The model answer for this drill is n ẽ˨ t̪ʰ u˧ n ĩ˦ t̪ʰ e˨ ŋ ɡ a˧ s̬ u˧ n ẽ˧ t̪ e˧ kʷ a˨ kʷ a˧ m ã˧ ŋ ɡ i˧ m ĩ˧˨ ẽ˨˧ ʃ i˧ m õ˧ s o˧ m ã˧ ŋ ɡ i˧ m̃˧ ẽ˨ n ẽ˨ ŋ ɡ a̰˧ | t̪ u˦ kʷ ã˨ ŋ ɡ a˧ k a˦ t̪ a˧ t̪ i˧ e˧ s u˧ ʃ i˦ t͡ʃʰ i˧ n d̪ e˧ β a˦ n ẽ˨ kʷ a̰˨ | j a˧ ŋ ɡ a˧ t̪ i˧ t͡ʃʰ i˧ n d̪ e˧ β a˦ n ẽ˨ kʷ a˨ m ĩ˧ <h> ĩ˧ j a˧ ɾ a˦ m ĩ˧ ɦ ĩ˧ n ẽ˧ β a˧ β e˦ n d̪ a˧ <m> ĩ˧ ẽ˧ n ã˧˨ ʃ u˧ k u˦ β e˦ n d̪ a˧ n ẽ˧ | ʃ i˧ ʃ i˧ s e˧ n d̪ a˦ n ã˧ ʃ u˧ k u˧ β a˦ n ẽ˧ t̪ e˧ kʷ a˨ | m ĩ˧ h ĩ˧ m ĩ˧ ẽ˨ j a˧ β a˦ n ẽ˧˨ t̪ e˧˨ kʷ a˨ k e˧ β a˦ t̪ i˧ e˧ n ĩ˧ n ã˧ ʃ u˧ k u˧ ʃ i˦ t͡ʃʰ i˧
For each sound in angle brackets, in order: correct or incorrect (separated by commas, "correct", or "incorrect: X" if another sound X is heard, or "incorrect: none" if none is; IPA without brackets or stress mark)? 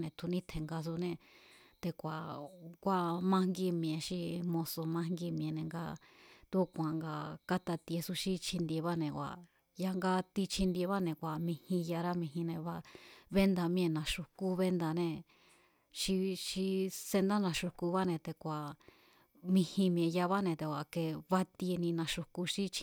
correct, correct